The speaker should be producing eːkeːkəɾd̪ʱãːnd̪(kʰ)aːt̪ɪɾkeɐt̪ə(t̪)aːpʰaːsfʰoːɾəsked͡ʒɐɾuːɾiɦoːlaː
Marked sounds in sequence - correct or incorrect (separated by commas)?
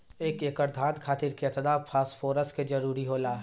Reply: correct, incorrect